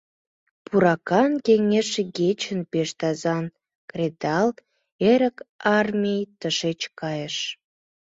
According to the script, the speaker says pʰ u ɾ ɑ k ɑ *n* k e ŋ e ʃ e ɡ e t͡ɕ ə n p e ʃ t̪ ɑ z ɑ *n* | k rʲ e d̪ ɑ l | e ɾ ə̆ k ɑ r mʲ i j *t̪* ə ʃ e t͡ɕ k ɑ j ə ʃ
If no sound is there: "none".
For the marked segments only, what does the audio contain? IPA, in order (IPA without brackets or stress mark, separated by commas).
n, n, t̪